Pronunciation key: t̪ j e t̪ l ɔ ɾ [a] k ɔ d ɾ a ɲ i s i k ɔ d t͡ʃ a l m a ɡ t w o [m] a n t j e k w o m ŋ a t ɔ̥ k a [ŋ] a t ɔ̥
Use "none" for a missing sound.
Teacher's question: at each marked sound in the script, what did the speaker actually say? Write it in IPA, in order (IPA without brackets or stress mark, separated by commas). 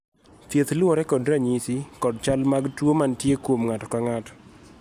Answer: ɛ, m, ŋ